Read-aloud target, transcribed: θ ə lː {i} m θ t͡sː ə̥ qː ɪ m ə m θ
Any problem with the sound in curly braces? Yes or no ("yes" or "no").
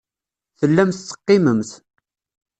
yes